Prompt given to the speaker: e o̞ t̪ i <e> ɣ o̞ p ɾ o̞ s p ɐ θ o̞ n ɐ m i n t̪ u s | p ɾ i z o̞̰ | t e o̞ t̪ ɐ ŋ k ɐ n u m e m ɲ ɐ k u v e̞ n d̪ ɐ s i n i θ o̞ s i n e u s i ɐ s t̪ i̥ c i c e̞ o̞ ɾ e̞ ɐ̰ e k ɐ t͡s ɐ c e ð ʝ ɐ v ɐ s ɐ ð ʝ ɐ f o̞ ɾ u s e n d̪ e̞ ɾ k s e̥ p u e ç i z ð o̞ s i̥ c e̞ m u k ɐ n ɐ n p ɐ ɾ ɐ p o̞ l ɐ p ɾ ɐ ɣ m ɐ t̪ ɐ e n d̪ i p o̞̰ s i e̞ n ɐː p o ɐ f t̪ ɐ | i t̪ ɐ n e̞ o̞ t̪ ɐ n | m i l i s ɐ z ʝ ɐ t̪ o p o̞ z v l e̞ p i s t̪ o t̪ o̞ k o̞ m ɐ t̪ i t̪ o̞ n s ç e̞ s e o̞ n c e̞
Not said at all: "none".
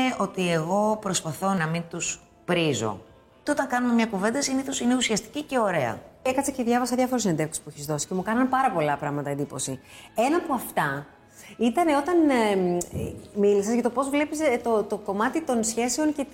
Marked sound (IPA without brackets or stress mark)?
e